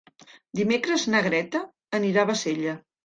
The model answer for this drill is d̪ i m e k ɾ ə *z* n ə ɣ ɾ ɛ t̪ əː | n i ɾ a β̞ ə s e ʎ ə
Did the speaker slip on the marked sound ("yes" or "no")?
no